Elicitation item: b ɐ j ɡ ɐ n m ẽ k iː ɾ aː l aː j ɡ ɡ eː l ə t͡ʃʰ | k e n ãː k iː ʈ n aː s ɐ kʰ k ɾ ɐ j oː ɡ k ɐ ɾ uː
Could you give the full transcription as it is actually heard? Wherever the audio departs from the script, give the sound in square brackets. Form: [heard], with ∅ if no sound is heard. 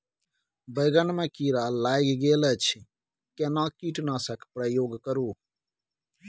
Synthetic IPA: b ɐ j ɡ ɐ n m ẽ k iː ɾ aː l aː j ɡ ɡ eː l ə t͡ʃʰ | k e n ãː k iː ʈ n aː s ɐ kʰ [p] ɾ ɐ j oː ɡ k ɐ ɾ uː